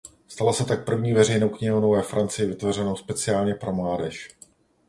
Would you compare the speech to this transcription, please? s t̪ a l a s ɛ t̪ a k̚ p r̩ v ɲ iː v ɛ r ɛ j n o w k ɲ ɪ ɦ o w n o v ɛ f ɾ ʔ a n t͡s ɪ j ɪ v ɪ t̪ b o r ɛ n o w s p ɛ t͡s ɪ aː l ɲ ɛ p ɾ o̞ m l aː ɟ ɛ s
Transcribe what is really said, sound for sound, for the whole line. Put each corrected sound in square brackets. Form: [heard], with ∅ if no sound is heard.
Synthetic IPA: s t̪ a l a s ɛ t̪ a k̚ p r̩ v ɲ iː v ɛ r ɛ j n o w k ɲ ɪ ɦ o w n o v ɛ f ɾ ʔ a n t͡s ɪ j ɪ v ɪ t̪ [v] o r ɛ n o w s p ɛ t͡s ɪ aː l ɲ ɛ p ɾ o̞ m l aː [d] ɛ [ʃ]